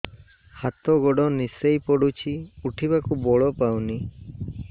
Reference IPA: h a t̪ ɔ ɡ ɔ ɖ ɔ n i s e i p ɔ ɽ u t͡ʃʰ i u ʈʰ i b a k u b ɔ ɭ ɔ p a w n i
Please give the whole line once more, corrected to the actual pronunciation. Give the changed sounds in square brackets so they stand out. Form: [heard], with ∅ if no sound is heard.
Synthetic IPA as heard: h a t̪ ɔ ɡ ɔ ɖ ɔ n i s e [j] p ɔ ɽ u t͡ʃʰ i u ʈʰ i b a k u b ɔ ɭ ɔ p a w n i